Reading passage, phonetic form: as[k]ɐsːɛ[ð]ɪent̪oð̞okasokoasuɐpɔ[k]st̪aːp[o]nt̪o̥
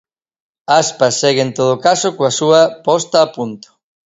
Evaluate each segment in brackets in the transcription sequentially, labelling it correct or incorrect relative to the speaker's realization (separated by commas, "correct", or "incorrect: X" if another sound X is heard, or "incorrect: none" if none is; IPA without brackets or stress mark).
incorrect: p, incorrect: ɣ, incorrect: none, incorrect: u